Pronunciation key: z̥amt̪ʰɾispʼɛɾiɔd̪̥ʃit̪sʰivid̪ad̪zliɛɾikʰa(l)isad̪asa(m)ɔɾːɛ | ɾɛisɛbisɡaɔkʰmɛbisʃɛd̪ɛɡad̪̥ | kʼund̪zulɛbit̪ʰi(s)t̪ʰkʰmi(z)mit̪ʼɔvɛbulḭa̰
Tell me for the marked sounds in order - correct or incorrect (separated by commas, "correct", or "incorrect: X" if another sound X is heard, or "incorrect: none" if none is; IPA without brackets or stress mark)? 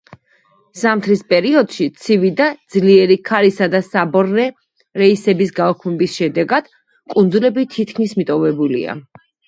incorrect: ɾ, incorrect: b, incorrect: none, incorrect: s